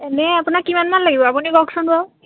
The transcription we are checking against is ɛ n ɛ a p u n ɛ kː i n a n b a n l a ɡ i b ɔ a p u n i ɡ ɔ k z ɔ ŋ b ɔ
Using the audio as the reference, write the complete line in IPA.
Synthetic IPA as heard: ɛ n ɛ a p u n a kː i m a n m a n l a ɡ i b ɔ a p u n i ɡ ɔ k s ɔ n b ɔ